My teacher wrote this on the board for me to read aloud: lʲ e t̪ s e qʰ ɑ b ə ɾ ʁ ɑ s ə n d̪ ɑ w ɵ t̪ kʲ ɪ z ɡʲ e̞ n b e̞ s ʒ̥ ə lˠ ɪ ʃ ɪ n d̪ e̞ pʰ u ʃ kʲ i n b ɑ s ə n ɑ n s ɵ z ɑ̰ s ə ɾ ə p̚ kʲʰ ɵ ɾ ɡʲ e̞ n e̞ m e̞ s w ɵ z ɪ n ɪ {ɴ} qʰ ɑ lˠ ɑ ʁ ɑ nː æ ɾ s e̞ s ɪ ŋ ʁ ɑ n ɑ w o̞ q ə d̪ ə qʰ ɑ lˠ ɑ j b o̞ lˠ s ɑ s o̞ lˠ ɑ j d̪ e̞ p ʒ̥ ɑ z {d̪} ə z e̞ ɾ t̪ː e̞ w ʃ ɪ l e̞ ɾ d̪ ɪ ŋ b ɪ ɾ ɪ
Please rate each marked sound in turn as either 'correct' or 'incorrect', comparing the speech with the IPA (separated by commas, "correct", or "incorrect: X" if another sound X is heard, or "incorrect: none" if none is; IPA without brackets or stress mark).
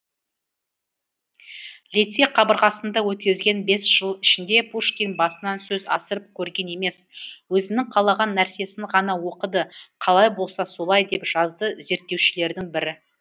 incorrect: ŋ, correct